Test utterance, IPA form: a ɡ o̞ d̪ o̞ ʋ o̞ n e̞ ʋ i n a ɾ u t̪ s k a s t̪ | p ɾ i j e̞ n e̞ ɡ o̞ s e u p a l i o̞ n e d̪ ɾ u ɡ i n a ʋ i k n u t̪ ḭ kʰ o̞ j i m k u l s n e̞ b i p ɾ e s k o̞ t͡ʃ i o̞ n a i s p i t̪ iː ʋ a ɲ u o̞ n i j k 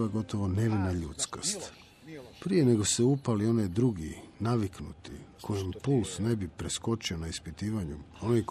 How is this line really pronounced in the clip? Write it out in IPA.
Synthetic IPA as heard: a ɡ o̞ t̪ o̞ ʋ o̞ n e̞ ʋ i n a ʎ u t̪ s k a s t̪ | p ɾ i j e̞ n e̞ ɡ o̞ s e u p a l i o̞ n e d̪ ɾ u ɡ i n a ʋ i k n u t̪ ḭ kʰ o̞ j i m p u l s n e̞ b i p ɾ e s k o̞ t͡ʃ i o̞ n a i s p i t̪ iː ʋ a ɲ u o̞ n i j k